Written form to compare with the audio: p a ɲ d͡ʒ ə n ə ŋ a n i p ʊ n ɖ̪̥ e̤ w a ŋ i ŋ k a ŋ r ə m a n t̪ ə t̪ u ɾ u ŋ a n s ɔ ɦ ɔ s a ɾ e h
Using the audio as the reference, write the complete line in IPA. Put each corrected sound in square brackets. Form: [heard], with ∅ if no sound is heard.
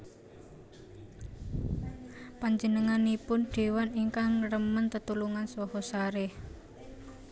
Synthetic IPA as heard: p a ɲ d͡ʒ ə n ə ŋ a n i p ʊ n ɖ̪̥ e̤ w a [n] i ŋ k a ŋ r ə m [ə] n t̪ ə t̪ u [l] u ŋ a n s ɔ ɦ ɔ s a ɾ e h